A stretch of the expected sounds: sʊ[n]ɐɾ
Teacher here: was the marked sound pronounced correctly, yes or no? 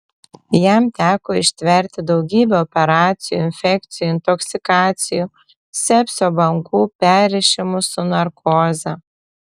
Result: yes